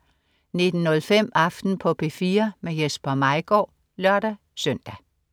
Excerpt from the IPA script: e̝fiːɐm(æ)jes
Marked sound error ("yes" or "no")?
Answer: yes